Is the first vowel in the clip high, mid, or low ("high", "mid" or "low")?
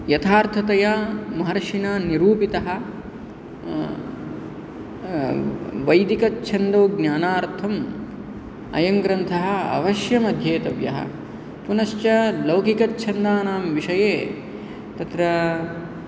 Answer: low